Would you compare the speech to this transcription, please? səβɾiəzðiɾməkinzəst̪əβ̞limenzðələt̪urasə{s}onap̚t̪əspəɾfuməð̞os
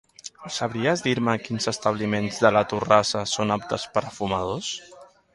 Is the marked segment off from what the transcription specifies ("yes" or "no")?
no